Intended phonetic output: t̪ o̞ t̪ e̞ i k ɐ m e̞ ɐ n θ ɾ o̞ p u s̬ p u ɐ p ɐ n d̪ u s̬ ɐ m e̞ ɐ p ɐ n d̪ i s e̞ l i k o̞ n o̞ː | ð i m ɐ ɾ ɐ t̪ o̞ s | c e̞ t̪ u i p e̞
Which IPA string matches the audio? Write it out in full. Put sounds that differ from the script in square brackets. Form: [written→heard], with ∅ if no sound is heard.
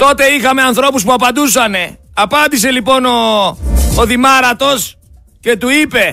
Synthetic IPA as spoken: t̪ o̞ t̪ e̞ i [k→x] ɐ m e̞ ɐ n θ ɾ o̞ p u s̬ p u ɐ p ɐ n d̪ u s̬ ɐ [m→n] e̞ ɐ p ɐ n d̪ i s e̞ l i [k→p] o̞ n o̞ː | ð i m ɐ ɾ ɐ t̪ o̞ s | c e̞ t̪ u i p e̞